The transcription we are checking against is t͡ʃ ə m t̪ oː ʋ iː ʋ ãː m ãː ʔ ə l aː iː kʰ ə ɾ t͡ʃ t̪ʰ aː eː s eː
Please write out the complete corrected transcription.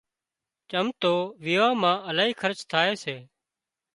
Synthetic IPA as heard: t͡ʃ ə m t̪ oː ʋ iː ʋ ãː m ãː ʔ ə l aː iː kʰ ə ɾ t͡ʃ t̪ʰ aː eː s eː